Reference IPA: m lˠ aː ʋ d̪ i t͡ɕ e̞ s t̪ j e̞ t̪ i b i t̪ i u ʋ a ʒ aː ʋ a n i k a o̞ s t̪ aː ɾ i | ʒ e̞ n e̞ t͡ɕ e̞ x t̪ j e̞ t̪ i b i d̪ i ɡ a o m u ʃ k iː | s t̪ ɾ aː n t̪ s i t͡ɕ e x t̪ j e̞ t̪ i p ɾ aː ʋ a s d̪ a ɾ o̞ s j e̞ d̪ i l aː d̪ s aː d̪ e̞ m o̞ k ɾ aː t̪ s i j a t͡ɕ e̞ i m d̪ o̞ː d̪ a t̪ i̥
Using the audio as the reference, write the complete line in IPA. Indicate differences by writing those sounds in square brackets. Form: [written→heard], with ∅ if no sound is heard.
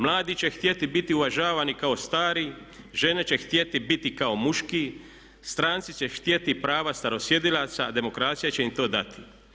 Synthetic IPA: m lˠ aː [ʋ→∅] d̪ i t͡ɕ e̞ [s→x] t̪ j e̞ t̪ i b i t̪ i u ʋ a ʒ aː ʋ a n i k a o̞ s t̪ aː ɾ i | ʒ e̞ n e̞ t͡ɕ e̞ x t̪ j e̞ t̪ i b i [d̪→t̪] i [ɡ→k] a o m u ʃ k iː | s t̪ ɾ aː n t̪ s i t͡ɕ e x t̪ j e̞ t̪ i p ɾ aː ʋ a s [d̪→t̪] a ɾ o̞ s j e̞ d̪ i l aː [d̪→t̪] s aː d̪ e̞ m o̞ k ɾ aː t̪ s i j a t͡ɕ e̞ i m [d̪→t̪] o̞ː d̪ a t̪ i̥

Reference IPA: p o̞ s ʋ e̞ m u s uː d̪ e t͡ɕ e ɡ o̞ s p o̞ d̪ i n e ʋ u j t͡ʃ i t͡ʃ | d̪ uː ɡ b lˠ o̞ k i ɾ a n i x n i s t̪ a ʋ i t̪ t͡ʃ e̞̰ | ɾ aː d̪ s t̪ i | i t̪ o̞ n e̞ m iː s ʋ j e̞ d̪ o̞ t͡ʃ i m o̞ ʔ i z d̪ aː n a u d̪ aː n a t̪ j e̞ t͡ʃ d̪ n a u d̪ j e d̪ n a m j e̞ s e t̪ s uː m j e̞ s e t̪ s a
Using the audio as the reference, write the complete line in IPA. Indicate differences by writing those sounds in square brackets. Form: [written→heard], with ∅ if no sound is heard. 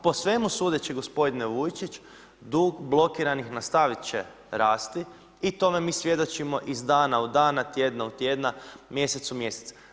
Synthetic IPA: p o̞ s ʋ e̞ m u s uː d̪ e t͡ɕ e ɡ o̞ s p o̞ d̪ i n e ʋ u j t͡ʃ i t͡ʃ | d̪ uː ɡ b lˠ o̞ k i ɾ a n i x n [i→a] s t̪ a ʋ i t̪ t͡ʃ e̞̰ | ɾ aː [d̪→∅] s t̪ i | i t̪ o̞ [n→m] e̞ m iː s ʋ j e̞ d̪ o̞ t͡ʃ i m o̞ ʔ i z d̪ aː n a u d̪ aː n a t̪ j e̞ [t͡ʃ→∅] d̪ n a u [d̪→t̪] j e d̪ n a m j e̞ s e t̪ s [uː→u] m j e̞ s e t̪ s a

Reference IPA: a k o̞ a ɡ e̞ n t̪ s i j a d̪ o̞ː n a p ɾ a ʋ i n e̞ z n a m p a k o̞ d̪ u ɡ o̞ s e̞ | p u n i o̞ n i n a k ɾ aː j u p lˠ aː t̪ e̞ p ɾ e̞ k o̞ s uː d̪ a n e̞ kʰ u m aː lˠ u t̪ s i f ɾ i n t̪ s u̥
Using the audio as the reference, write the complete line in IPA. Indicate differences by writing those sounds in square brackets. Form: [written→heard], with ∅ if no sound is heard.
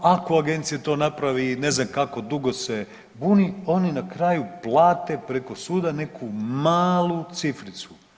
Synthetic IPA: a k o̞ a ɡ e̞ n t̪ s i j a [d̪→t̪] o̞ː n a p ɾ a ʋ i n e̞ z n a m [p→k] a k o̞ d̪ u ɡ o̞ s e̞ | [p→b] u n i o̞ n i n a k ɾ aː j u p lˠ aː t̪ e̞ p ɾ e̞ k o̞ s uː d̪ a n e̞ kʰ u m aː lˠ u t̪ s i f ɾ i [n→∅] t̪ s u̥

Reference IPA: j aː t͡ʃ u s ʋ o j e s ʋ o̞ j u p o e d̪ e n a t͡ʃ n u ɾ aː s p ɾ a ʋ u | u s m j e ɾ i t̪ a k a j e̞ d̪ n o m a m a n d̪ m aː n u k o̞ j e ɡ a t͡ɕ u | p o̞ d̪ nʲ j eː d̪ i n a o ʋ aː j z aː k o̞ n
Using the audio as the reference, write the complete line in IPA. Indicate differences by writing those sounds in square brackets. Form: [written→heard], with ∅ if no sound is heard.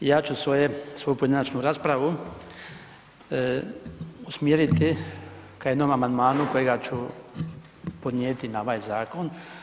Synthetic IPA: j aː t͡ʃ u s ʋ o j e s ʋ o̞ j u p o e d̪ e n a t͡ʃ n u ɾ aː s p ɾ a ʋ u | u s m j e ɾ i t̪ [a→i] k a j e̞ d̪ n o m a m a n d̪ m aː n u k o̞ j e ɡ a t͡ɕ u | p o̞ d̪ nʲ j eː [d̪→t̪] i n a o ʋ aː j z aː k o̞ n

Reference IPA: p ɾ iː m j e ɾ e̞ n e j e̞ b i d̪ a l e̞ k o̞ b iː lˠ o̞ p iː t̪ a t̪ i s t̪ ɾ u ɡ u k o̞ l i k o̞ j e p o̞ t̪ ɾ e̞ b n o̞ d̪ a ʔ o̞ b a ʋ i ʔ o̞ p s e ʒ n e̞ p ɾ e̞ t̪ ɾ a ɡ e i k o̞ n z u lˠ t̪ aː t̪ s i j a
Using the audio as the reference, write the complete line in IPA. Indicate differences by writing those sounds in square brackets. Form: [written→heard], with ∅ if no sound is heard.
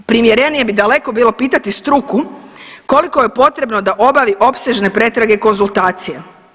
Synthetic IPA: p ɾ [iː→i] m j e ɾ e̞ n [e→i] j e̞ b i d̪ a l e̞ k o̞ b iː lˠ o̞ p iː t̪ a t̪ i s t̪ ɾ u [ɡ→k] u k o̞ l i k o̞ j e p o̞ t̪ ɾ e̞ b n o̞ d̪ a ʔ o̞ b a ʋ i ʔ o̞ p s e ʒ n e̞ p ɾ e̞ t̪ ɾ a ɡ e i k o̞ n z u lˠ t̪ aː t̪ s i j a

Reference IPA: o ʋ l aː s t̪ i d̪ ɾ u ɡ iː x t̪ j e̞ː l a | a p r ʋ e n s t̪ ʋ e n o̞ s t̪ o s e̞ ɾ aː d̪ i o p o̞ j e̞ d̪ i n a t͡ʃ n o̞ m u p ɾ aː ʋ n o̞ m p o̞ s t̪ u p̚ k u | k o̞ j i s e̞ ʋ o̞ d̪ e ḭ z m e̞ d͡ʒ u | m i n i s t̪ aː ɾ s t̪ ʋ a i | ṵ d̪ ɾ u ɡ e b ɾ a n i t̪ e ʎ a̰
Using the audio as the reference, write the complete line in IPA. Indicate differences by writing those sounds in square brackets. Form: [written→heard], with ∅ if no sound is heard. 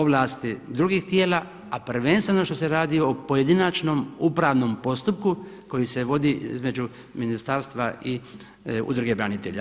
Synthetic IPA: o ʋ l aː s t̪ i d̪ ɾ u ɡ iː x t̪ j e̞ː l a | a p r ʋ e n s t̪ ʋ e n o̞ [s→ʃ] t̪ o s e̞ ɾ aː d̪ i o p o̞ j e̞ d̪ i n a t͡ʃ n o̞ m u p ɾ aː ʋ n o̞ m p o̞ s t̪ u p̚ k u | k o̞ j i s e̞ ʋ o̞ d̪ [e→i] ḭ z m e̞ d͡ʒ u | m i n i s t̪ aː ɾ s t̪ ʋ a i | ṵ d̪ ɾ u ɡ e b ɾ a n i t̪ e ʎ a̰

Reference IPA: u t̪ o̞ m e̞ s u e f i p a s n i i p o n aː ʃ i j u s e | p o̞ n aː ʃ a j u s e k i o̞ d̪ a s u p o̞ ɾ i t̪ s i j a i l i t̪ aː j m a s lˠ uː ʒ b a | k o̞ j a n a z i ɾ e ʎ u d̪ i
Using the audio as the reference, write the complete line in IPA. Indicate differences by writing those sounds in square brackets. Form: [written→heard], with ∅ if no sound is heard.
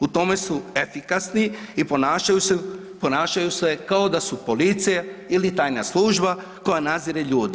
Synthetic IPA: u t̪ o̞ m e̞ s u e f i [p→k] a s n i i p o n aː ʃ [i→a] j u s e | p o̞ n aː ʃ a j u s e k [i→a] o̞ d̪ a s u p o̞ [ɾ→l] i t̪ s i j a i l i t̪ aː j [m→n] a s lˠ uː ʒ b a | k o̞ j a n a z i ɾ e ʎ [u→uː] d̪ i

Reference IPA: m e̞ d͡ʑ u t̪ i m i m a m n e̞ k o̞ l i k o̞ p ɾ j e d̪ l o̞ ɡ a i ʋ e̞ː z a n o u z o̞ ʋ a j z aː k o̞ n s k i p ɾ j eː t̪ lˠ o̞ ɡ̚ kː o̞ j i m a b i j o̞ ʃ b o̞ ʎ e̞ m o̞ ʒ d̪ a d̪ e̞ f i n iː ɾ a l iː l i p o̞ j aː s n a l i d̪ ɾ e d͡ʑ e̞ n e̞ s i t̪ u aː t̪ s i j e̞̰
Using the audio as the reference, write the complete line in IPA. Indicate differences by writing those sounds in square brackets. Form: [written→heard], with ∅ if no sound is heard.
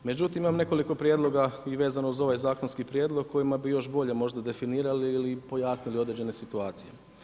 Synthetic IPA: m e̞ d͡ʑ u t̪ i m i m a m n e̞ k o̞ l i k o̞ p ɾ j e d̪ l o̞ ɡ a i ʋ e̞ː z a n o u z o̞ ʋ a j z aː k o̞ n s k i p ɾ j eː [t̪→d̪] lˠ o̞ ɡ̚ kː o̞ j i m a b i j o̞ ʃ b o̞ ʎ e̞ m o̞ ʒ d̪ a d̪ e̞ f i n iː ɾ a l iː l i p o̞ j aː s n [a→i] l i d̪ ɾ e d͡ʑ e̞ n e̞ s i t̪ u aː t̪ s i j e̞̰

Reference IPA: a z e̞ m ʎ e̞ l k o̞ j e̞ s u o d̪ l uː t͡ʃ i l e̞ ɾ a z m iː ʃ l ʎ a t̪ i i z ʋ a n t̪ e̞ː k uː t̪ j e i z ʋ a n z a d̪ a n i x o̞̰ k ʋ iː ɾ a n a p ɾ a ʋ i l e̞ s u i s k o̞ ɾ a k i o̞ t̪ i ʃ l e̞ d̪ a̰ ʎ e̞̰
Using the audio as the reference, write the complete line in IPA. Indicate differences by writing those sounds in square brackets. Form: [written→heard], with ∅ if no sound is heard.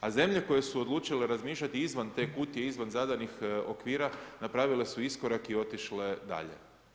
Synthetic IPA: a z e̞ m ʎ e̞ [l→∅] k o̞ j e̞ s u o d̪ l uː t͡ʃ i l e̞ ɾ a z m iː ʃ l ʎ a t̪ i i z ʋ a n t̪ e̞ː k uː t̪ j e i z ʋ a n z a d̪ a n i x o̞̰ k ʋ iː ɾ a n a p ɾ a ʋ i l e̞ s u i s k o̞ ɾ a k i o̞ t̪ i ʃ l e̞ d̪ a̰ ʎ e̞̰

